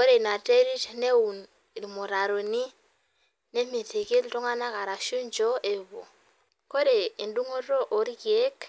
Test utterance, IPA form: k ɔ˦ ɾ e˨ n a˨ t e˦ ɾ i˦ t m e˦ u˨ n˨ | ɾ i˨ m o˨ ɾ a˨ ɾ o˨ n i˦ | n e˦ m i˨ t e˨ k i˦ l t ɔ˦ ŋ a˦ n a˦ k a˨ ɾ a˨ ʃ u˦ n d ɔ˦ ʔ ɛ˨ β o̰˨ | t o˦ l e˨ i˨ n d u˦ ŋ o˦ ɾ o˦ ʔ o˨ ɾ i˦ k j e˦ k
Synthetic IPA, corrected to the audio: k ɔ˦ ɾ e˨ n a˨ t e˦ ɾ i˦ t n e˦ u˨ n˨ | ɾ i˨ m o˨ ɾ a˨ ɾ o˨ n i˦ | n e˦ m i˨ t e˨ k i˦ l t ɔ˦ ŋ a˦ n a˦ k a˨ ɾ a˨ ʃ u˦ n d͡ʒ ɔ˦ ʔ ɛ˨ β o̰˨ | k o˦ ɾ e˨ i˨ n d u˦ ŋ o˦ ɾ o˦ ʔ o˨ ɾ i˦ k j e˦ k